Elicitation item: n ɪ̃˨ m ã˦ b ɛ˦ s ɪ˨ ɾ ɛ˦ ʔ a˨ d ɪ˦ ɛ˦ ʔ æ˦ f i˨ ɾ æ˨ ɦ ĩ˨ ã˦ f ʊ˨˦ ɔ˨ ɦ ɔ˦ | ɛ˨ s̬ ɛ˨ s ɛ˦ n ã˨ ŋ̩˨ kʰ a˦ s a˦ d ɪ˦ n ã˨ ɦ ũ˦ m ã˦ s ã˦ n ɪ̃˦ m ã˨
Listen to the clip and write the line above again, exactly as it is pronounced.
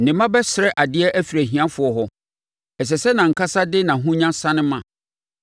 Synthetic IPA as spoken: n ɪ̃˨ m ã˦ b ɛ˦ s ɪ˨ ɾ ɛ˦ ʔ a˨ d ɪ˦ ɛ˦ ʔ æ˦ f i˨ ɾ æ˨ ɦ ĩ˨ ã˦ f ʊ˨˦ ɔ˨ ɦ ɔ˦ | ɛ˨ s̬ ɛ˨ s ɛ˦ n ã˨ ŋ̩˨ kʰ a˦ s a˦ d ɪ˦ n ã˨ ɦ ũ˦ ɲ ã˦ s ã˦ n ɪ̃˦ m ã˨